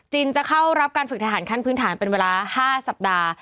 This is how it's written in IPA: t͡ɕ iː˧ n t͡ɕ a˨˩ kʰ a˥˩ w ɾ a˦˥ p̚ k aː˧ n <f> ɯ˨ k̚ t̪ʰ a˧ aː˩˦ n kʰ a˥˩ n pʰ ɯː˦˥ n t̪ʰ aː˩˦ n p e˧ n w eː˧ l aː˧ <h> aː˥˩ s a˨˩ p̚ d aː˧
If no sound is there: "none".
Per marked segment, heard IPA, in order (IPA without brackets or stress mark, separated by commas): f, h